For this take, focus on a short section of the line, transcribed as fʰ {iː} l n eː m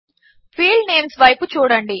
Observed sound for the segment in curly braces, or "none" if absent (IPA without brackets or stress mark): iː